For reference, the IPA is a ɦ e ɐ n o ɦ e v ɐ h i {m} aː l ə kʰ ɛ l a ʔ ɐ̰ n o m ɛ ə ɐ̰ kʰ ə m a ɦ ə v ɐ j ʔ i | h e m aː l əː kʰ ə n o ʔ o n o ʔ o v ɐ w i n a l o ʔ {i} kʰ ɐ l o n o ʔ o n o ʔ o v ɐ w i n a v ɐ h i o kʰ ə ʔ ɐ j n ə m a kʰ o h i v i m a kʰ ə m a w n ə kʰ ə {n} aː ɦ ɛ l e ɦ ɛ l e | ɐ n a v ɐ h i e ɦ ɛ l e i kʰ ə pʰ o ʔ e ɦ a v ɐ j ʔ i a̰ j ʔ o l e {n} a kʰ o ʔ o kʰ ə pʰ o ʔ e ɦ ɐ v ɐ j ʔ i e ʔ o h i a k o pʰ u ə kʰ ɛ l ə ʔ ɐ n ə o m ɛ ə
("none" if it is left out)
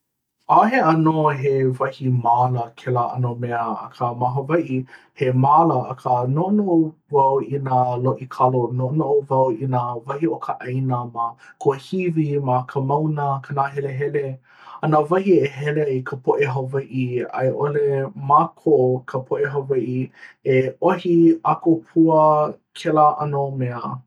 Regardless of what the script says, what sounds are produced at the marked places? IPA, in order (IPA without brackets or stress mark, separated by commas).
m, i, n, m